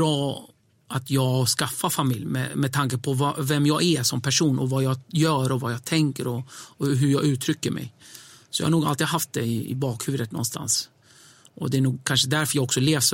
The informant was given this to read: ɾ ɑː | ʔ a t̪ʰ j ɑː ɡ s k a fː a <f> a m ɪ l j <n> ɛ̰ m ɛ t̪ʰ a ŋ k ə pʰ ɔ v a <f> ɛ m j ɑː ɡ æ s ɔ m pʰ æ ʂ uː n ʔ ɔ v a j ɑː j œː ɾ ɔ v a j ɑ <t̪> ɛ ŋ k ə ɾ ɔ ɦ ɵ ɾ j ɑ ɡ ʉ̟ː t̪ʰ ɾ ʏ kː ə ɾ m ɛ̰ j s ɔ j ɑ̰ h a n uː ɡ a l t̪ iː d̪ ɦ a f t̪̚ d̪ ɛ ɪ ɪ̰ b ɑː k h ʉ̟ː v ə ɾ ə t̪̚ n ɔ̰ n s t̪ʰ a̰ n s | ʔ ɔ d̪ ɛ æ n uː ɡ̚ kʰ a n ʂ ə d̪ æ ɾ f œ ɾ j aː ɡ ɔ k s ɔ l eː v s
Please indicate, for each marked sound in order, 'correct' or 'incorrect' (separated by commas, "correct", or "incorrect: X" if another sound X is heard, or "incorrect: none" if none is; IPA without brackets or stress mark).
correct, incorrect: m, incorrect: v, incorrect: t̪ʰ